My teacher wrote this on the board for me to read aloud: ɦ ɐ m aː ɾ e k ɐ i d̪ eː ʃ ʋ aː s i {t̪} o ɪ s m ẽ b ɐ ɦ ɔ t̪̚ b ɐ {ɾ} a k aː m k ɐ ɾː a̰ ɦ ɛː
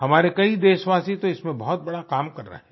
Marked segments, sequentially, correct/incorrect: correct, incorrect: ɽ

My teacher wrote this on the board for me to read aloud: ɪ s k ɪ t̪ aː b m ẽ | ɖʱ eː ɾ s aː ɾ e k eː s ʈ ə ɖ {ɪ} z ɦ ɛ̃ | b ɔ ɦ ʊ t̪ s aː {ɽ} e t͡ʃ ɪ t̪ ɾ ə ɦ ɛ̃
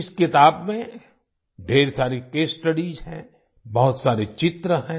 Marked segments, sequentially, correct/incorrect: incorrect: i, incorrect: ɾ

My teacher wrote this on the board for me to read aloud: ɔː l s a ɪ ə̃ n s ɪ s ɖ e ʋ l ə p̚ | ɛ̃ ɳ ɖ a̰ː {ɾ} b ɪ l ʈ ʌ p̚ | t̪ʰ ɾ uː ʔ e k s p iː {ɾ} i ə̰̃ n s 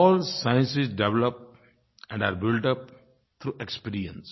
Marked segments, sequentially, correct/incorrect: correct, correct

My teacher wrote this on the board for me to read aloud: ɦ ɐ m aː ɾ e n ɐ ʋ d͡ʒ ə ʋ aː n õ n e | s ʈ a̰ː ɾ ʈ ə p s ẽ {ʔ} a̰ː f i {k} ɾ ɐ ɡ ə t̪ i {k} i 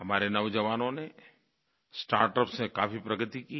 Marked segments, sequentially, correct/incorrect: incorrect: k, incorrect: p, correct

